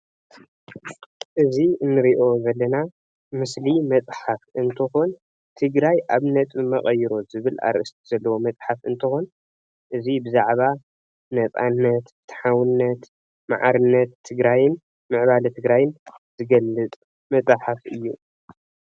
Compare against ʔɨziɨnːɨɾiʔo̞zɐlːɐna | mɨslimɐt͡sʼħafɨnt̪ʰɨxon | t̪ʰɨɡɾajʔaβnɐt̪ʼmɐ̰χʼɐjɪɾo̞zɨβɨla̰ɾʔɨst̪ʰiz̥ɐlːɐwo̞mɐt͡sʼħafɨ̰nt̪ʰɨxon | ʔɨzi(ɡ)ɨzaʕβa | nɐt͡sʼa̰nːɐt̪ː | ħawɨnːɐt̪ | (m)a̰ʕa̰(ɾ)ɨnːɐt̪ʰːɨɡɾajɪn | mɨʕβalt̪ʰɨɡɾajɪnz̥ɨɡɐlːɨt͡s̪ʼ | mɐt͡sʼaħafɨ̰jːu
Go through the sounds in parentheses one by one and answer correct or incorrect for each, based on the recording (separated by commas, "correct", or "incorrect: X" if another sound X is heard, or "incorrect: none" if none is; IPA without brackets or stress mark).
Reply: incorrect: b, correct, correct